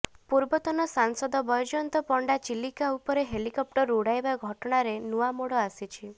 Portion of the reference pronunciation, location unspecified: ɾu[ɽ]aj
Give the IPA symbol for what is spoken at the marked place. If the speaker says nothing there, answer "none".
ɽ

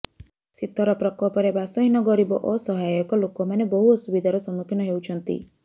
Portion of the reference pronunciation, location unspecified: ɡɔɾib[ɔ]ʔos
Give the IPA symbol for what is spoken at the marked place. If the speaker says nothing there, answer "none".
ɔ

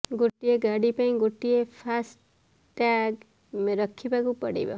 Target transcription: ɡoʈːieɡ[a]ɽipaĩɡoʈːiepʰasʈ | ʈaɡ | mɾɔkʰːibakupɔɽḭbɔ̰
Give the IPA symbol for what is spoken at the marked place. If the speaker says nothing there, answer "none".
a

